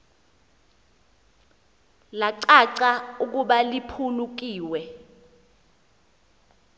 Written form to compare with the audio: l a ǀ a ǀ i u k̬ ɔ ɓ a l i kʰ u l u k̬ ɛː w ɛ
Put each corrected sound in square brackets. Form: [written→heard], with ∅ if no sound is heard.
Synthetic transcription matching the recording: l a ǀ a ǀ [i→a] u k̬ [ɔ→u] ɓ a l i [kʰ→pʰ] u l u k̬ [ɛː→iː] w ɛ